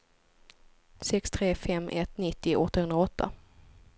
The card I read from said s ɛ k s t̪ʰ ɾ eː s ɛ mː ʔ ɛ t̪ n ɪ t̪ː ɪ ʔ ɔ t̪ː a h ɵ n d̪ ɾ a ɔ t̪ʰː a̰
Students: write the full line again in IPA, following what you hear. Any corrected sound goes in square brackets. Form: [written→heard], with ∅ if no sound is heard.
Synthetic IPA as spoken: s ɛ k s t̪ʰ ɾ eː [s→f] ɛ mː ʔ ɛ t̪ n ɪ t̪ː ɪ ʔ ɔ t̪ː a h ɵ n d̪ ɾ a ɔ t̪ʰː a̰